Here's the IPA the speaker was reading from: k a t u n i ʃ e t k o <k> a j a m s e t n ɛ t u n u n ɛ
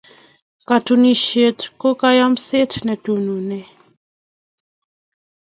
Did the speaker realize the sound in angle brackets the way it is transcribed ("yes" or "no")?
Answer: yes